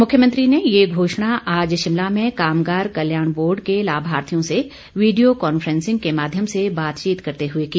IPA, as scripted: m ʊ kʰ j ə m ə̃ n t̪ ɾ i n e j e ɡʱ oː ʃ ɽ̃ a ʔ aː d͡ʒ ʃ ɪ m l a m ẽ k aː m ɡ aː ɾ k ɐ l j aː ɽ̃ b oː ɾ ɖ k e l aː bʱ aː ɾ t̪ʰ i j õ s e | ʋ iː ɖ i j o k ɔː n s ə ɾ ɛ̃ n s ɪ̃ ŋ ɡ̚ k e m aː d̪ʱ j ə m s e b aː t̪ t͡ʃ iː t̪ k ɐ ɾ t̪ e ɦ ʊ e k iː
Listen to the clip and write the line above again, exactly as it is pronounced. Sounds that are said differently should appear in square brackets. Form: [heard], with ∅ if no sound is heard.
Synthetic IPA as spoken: m ʊ kʰ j ə m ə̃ n t̪ ɾ i n e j e ɡʱ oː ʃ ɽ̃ a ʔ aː d͡ʒ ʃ ɪ m l a m ẽ k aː m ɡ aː ɾ k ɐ l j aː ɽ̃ b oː ɾ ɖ k e l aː bʱ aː ɾ t̪ʰ i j õ s e | ʋ iː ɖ i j o k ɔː n [f] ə ɾ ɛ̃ n s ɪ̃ ŋ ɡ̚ k e m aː d̪ʱ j ə m s e b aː t̪ t͡ʃ iː t̪ k ɐ ɾ t̪ e ɦ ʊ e k iː